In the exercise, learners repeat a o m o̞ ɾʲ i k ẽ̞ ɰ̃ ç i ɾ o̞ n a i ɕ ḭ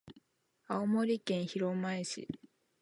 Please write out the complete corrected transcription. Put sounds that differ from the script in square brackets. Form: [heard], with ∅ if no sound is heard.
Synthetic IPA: a o m o̞ ɾʲ i k ẽ̞ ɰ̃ ç i ɾ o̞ [m] a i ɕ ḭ